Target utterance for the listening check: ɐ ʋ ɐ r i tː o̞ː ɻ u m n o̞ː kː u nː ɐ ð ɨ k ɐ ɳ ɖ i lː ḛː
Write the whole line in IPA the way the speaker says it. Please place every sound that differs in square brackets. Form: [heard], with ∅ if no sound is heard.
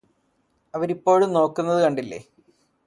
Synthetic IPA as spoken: ɐ ʋ ɐ [ɾ] i [pː] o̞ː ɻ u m n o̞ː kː u nː ɐ ð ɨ k ɐ ɳ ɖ i lː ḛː